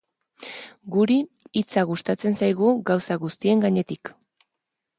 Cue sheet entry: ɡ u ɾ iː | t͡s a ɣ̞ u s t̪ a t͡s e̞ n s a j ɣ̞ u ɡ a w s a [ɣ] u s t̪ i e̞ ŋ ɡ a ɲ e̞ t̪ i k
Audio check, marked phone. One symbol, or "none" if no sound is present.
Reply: ɣ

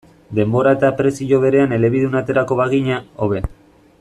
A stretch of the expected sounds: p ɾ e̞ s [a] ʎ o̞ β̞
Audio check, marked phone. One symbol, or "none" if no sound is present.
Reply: i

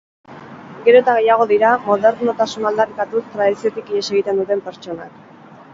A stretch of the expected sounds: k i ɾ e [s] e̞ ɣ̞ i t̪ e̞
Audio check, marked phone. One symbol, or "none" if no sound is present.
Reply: s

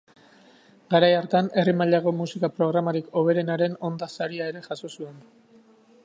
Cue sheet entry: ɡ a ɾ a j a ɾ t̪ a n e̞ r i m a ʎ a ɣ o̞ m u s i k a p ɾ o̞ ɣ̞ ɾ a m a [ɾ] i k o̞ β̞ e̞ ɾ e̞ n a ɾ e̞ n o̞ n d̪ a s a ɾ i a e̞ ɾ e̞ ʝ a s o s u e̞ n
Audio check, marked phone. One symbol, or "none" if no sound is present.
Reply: ɾ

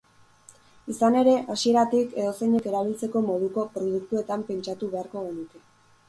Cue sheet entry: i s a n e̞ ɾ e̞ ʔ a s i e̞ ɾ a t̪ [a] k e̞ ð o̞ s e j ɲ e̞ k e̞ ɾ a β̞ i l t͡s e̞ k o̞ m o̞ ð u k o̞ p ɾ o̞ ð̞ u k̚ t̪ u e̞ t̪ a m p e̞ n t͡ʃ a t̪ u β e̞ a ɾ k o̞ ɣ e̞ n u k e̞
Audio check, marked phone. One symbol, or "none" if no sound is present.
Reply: i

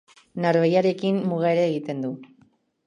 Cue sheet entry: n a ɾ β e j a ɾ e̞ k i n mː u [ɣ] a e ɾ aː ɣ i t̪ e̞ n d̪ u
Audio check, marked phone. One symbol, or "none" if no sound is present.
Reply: ɣ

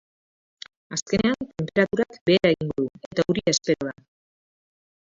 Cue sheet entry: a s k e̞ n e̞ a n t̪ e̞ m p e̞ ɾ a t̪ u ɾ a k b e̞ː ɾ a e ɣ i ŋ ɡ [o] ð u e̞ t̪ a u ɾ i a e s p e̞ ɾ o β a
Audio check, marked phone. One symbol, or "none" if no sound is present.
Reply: o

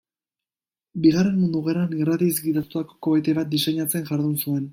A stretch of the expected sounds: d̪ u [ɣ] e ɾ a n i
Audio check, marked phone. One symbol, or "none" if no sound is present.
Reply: ɣ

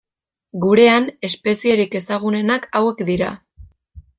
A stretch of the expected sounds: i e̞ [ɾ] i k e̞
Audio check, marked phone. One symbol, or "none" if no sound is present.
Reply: ɾ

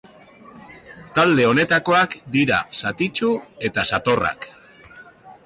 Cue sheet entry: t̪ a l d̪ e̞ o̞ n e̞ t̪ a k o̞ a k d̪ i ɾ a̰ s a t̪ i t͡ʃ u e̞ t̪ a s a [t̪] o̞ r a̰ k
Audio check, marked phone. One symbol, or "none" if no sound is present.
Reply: t̪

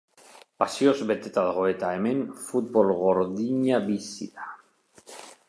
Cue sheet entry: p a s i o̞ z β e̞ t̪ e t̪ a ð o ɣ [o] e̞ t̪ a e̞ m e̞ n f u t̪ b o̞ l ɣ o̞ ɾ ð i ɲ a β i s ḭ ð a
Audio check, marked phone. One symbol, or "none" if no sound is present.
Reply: o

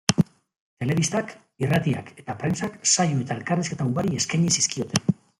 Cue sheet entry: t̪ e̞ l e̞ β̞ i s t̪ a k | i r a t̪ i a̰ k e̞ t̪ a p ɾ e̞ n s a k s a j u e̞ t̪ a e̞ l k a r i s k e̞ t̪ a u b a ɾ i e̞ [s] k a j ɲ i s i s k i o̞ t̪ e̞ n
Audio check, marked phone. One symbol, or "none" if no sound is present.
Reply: s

